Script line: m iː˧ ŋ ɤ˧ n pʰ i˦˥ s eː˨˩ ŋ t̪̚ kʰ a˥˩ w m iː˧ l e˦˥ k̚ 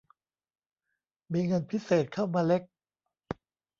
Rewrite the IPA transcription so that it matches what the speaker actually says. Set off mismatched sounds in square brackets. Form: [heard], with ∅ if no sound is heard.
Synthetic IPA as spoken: m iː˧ ŋ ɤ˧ n pʰ i˦˥ s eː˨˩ [∅] t̪̚ kʰ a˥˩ w m [aː˧] l e˦˥ k̚